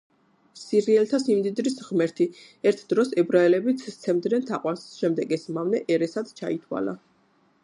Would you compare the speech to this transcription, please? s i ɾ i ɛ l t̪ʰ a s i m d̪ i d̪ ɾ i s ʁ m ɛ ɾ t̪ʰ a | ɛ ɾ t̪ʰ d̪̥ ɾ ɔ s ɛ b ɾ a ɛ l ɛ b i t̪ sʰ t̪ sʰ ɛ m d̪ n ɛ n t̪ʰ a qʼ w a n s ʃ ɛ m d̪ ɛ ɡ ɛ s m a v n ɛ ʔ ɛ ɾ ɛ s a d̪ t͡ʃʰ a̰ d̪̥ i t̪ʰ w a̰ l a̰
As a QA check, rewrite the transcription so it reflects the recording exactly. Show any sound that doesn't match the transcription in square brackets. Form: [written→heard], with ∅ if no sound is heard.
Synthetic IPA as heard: s i ɾ i ɛ l t̪ʰ a s i m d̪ i d̪ ɾ i s ʁ m ɛ ɾ t̪ʰ [a→i] | ɛ ɾ t̪ʰ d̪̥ ɾ ɔ s ɛ b ɾ a ɛ l ɛ b i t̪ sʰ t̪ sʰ ɛ m d̪ n ɛ n t̪ʰ a qʼ w a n s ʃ ɛ m d̪ ɛ ɡ ɛ s m a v n ɛ ʔ ɛ ɾ ɛ s a d̪ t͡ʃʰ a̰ [d̪̥→∅] i t̪ʰ w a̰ l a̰